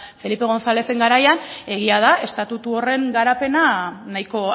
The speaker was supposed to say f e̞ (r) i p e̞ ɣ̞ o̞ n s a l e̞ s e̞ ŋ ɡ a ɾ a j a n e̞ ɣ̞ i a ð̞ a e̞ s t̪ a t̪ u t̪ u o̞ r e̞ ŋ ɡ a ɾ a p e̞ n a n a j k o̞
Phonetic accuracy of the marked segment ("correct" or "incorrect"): incorrect